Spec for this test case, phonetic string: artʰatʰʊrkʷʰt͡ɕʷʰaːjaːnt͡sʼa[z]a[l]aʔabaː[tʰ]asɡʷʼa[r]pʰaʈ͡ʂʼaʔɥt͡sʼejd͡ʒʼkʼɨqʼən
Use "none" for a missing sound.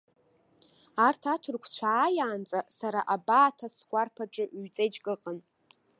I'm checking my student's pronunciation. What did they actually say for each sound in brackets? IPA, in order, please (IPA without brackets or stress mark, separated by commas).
s, ɾ, tʰ, r